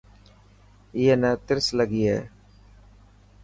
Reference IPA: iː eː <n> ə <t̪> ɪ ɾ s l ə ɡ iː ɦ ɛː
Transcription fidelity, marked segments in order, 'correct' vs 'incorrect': correct, correct

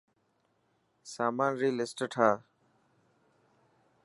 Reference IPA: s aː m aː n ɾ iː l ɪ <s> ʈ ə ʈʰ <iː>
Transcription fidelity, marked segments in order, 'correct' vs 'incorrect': correct, incorrect: aː

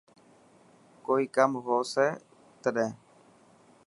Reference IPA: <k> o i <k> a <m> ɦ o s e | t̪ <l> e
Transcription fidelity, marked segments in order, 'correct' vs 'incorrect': correct, correct, correct, incorrect: ɾ

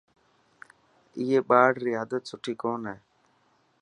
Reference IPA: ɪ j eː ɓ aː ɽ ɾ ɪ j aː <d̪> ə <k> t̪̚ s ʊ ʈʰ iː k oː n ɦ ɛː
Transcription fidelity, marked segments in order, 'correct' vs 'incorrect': correct, incorrect: none

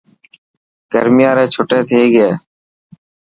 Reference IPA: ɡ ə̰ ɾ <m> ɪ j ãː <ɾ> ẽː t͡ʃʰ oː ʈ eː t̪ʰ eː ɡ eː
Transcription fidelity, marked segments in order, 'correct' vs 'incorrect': correct, correct

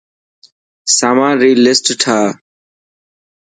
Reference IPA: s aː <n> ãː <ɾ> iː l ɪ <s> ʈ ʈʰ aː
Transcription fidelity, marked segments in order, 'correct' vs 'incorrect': incorrect: m, correct, correct

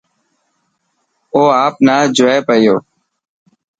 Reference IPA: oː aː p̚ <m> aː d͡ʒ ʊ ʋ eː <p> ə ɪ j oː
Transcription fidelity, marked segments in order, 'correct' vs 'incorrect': incorrect: n, correct

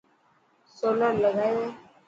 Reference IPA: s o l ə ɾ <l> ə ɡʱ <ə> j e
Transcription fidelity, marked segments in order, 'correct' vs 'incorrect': correct, incorrect: a

